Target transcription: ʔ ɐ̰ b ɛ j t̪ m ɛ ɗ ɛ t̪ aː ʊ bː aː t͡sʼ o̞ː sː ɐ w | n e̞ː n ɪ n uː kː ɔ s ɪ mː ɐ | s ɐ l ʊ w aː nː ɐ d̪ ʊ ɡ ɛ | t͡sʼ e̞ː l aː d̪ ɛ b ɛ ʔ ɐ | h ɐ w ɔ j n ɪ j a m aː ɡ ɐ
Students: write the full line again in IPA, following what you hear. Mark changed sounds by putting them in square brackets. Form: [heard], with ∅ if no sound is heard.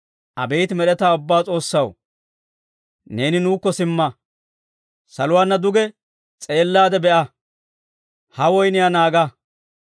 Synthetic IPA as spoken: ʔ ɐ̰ b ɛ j t̪ m ɛ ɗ ɛ t̪ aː ʊ bː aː t͡sʼ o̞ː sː ɐ w | n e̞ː n ɪ n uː kː ɔ s ɪ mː ɐ | s ɐ l ʊ w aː nː ɐ d̪ ʊ ɡ ɛ | t͡sʼ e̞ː [lː] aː d̪ ɛ b ɛ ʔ ɐ | h ɐ w ɔ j n ɪ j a [n] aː ɡ ɐ